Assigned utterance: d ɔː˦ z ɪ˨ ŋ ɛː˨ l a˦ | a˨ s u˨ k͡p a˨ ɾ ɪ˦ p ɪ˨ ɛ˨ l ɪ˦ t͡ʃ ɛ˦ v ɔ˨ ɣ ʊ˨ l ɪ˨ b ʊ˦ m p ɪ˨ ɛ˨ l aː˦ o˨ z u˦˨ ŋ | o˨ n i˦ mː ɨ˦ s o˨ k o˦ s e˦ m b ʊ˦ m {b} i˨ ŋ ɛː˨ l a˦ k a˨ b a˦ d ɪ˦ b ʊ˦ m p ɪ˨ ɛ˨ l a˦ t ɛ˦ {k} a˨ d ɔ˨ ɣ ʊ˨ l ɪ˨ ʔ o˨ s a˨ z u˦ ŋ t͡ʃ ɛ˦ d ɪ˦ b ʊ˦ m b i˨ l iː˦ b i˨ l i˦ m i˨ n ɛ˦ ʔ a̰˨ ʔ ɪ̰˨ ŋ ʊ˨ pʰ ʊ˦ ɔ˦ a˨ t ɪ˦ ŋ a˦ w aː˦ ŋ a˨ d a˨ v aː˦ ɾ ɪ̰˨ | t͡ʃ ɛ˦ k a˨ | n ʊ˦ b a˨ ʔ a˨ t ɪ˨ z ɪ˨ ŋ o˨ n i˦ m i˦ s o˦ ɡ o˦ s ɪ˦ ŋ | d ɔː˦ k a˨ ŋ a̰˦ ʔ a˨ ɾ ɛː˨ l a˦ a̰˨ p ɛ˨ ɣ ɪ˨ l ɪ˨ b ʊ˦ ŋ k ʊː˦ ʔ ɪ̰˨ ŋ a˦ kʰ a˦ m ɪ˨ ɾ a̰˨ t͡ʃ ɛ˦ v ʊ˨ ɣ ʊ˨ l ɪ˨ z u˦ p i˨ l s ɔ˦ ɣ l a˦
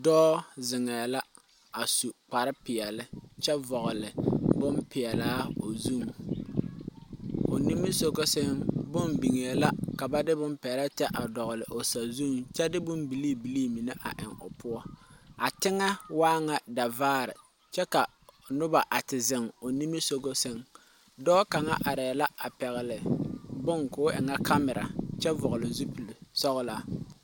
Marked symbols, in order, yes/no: yes, no

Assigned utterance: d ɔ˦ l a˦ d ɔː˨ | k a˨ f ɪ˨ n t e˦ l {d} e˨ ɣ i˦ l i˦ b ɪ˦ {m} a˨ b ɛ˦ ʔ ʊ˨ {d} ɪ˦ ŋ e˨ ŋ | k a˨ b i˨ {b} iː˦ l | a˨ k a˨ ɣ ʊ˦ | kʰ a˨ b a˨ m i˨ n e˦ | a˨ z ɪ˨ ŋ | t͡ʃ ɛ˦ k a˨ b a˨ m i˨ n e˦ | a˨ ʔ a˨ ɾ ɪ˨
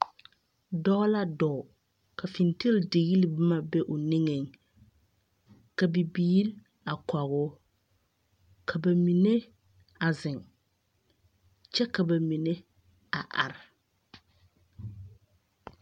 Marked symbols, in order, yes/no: yes, yes, no, yes

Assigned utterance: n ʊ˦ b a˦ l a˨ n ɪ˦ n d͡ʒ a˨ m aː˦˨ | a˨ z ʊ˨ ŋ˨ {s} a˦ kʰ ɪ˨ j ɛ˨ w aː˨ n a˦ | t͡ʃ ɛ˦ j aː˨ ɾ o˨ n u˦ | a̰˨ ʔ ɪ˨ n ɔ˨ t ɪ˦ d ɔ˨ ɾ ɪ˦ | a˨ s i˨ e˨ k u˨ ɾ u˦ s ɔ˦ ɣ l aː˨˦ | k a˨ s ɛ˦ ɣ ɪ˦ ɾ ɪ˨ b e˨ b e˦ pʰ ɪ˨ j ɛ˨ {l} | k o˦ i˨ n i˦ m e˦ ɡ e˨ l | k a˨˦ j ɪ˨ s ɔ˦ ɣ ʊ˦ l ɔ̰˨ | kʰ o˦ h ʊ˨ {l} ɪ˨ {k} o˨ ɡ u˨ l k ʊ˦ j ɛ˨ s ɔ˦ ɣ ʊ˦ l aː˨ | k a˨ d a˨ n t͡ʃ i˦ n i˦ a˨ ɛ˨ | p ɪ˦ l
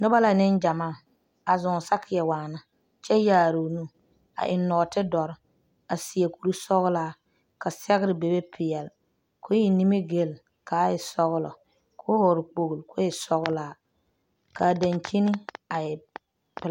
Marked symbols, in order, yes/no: yes, yes, no, no

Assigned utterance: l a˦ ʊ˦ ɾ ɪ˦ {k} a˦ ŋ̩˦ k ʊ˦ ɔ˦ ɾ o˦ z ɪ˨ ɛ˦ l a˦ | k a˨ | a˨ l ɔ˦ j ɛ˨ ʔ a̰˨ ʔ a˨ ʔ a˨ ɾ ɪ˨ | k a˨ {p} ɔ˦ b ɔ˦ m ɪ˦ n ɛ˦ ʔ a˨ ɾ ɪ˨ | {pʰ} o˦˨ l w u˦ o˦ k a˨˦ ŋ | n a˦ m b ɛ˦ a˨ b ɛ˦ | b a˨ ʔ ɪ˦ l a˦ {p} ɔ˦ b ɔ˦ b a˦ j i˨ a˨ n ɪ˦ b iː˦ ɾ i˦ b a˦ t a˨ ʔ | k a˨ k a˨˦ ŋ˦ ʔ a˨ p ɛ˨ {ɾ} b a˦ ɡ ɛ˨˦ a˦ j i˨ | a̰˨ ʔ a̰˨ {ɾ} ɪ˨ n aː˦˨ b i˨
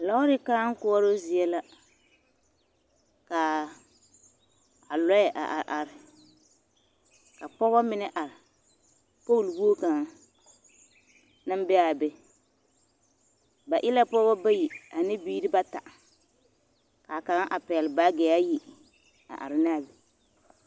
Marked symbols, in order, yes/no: yes, yes, no, yes, no, yes

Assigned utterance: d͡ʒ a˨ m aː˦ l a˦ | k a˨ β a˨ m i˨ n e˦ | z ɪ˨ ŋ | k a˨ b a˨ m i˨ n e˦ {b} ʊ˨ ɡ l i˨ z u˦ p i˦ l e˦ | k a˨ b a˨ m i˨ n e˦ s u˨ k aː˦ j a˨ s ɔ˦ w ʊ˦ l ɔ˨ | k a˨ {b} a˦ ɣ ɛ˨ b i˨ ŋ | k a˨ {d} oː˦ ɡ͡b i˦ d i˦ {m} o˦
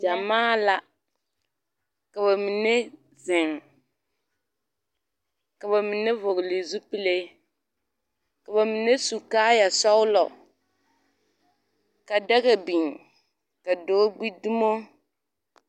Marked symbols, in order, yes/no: no, no, yes, yes

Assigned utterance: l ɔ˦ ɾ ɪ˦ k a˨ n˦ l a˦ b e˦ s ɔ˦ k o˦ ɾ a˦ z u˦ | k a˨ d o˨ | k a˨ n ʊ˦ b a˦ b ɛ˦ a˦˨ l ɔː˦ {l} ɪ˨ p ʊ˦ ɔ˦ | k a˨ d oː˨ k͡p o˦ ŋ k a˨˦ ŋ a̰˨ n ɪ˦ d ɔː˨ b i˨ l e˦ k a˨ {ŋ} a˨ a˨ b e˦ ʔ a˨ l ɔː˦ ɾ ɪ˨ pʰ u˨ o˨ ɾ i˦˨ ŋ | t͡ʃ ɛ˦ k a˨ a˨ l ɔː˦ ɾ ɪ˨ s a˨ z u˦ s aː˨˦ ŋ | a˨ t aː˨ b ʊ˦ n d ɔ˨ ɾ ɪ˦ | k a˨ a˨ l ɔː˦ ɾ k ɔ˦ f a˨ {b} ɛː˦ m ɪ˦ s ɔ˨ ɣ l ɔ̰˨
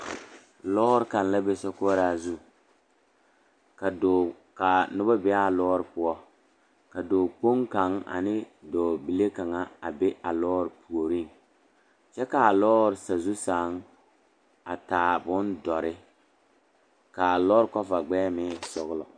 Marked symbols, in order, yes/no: no, yes, no

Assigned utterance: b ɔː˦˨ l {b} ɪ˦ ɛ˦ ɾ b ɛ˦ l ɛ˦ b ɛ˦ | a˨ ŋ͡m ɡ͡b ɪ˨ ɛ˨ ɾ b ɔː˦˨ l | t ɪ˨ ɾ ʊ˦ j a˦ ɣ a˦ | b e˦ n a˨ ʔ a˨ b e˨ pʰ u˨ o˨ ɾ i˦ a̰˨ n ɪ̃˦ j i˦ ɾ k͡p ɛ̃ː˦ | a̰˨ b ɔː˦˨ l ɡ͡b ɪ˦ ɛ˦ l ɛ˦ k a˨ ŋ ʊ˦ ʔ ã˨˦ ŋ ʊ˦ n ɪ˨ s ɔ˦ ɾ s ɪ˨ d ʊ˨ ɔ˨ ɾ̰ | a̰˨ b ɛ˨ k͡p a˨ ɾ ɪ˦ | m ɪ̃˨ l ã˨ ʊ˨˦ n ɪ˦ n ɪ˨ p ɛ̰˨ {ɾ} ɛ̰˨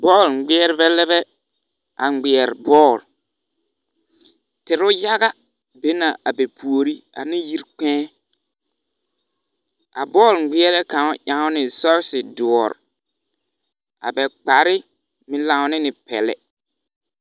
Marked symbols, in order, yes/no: no, no

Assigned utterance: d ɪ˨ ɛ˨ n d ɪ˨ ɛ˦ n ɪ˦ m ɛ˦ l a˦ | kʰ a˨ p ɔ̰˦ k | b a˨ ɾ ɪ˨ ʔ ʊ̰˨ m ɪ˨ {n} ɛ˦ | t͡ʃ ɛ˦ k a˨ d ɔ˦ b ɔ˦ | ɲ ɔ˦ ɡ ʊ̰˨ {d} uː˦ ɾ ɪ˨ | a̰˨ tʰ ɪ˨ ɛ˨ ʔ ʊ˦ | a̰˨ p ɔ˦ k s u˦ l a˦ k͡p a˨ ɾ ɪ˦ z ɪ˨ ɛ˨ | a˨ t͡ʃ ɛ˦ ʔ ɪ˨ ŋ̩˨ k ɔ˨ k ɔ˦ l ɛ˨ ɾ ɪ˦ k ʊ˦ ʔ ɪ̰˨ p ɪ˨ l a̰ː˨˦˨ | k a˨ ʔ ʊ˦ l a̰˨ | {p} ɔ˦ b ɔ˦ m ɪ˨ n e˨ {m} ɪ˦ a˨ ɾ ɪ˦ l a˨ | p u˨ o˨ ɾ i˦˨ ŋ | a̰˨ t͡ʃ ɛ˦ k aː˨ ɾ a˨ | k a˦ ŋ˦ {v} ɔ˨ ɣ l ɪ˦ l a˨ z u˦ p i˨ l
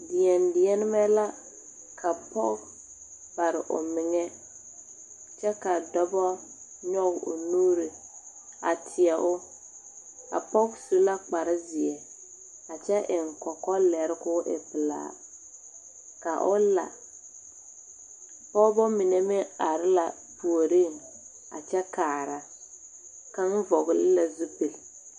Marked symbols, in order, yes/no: no, no, yes, yes, yes

